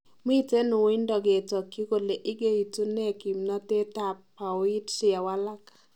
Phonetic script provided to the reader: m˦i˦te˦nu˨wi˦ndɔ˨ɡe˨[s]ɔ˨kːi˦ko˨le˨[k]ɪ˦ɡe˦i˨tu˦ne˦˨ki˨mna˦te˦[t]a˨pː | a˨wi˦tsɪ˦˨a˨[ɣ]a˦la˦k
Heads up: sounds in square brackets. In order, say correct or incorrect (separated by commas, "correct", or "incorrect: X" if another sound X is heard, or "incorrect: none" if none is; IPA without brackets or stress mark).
incorrect: t, incorrect: ʔ, correct, incorrect: w